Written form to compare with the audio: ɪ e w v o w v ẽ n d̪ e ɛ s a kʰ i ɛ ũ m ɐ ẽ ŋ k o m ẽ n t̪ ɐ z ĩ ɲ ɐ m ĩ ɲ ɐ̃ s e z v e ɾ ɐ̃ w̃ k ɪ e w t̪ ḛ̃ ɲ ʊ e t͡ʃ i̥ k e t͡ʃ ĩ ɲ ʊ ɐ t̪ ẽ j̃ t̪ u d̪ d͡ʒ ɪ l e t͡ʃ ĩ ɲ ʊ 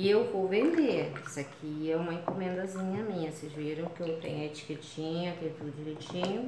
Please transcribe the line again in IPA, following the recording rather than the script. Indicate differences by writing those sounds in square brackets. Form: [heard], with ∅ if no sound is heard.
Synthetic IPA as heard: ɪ e w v o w v ẽ n d̪ e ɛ s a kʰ i ɛ ũ m ɐ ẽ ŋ k o m ẽ n [d̪] ɐ z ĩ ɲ ɐ m ĩ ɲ [ɐ] s e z v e ɾ ɐ̃ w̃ k ɪ e w t̪ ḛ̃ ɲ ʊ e t͡ʃ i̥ k e t͡ʃ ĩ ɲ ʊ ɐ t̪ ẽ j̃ t̪ u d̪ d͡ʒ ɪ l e t͡ʃ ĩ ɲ ʊ